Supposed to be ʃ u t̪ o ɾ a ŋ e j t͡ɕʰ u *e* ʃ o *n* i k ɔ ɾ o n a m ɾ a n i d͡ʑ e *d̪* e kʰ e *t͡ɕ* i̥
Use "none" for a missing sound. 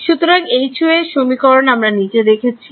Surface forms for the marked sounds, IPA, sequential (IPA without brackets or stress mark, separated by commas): e, m, d̪, t͡ɕʰ